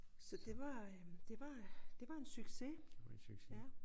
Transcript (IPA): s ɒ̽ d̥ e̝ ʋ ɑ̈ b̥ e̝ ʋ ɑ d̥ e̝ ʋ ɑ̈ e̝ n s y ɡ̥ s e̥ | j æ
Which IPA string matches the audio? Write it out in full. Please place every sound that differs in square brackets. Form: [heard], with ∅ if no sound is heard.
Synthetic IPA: s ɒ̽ d̥ e̝ ʋ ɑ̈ [d̥] e̝ ʋ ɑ d̥ e̝ ʋ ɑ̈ e̝ n s y ɡ̥ s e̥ | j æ